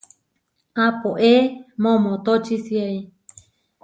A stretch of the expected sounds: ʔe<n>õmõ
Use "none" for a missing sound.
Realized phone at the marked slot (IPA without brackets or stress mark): m